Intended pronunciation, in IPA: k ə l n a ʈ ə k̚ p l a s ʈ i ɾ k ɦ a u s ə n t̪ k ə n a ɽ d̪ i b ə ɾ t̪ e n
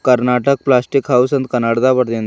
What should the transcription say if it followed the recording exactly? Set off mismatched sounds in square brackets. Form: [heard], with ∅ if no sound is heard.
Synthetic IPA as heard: k ə [ɾ] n a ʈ ə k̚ p l a s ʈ i [∅] k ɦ a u s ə n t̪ k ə n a ɽ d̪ [a] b ə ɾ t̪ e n